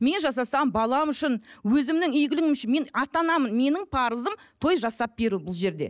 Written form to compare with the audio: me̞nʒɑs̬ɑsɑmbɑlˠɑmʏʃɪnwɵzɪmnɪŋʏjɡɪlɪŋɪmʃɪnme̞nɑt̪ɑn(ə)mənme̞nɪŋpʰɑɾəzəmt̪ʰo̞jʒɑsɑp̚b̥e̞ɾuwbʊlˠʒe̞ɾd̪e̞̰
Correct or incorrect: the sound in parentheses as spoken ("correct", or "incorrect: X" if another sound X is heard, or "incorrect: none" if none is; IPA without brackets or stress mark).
incorrect: ɑ